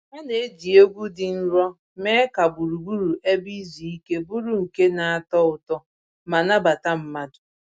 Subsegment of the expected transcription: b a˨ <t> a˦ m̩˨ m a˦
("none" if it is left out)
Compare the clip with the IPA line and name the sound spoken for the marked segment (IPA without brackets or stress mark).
t